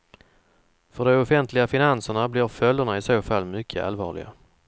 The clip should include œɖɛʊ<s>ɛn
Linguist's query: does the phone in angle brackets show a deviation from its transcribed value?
yes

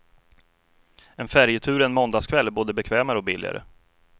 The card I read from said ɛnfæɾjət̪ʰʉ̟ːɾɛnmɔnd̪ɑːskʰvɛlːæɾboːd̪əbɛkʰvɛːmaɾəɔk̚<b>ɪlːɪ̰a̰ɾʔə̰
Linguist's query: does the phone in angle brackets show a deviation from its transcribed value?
no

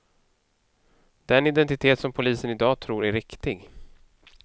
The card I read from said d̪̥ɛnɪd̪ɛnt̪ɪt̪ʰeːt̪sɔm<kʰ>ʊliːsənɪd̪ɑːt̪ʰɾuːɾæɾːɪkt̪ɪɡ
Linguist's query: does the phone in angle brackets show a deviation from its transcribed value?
yes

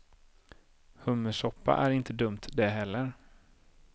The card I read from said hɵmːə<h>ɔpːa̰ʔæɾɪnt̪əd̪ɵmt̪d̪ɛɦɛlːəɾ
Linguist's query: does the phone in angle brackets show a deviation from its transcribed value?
yes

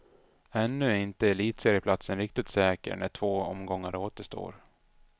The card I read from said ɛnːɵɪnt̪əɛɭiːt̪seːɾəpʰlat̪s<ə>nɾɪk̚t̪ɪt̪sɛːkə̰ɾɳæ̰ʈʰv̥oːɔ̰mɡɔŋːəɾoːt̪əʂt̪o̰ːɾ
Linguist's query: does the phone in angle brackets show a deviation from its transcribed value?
no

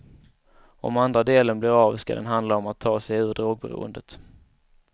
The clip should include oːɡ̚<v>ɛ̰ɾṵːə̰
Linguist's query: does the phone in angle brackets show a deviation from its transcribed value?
yes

